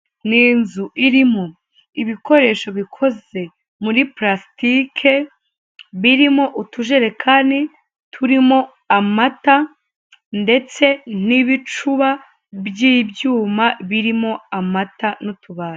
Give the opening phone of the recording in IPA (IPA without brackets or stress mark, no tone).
n